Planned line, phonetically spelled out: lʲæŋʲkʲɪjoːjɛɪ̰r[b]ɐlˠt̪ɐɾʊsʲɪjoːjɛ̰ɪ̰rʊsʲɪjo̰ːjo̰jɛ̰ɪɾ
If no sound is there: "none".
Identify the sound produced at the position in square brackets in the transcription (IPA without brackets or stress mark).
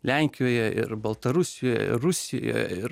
b